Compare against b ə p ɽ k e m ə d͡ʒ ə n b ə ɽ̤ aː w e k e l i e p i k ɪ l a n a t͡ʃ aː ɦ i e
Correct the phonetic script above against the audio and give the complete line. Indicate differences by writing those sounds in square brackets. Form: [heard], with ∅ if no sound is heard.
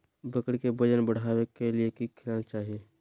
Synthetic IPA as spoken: b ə [k] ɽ k e [b] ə d͡ʒ ə n b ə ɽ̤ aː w e k e l i e [k] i [kʰ] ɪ l a n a t͡ʃ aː ɦ i e